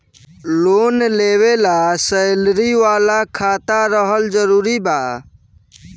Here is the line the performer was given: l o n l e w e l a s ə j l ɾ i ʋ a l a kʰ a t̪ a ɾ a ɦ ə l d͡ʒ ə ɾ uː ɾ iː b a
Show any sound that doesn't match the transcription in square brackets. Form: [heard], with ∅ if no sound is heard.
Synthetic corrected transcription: l o n l e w e l a s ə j l ɾ i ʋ a l a kʰ a t̪ a ɾ [ə] ɦ ə l d͡ʒ ə ɾ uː ɾ [i] b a